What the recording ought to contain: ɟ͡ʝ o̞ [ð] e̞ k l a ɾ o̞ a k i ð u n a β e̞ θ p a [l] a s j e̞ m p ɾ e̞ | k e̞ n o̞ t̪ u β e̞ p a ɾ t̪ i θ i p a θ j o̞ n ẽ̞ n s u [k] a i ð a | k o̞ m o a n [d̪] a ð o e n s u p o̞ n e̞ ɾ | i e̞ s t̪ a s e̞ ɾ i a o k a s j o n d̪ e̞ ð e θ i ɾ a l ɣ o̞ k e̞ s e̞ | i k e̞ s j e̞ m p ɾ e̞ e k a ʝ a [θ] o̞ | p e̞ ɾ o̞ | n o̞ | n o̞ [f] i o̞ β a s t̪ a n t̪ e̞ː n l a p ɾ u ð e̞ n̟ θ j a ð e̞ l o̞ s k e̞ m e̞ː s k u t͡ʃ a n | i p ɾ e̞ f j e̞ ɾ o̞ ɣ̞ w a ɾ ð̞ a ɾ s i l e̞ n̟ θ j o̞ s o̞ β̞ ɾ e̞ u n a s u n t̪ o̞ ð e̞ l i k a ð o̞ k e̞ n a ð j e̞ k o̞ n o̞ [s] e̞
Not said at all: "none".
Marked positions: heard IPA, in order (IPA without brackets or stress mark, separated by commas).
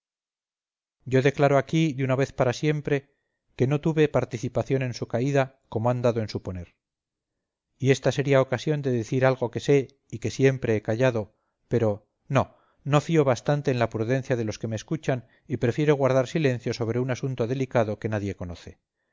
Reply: ð, ɾ, k, d̪, ð, f, θ